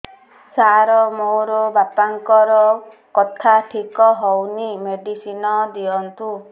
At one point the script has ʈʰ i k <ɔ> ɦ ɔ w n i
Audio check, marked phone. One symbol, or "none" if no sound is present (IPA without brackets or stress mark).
ɔ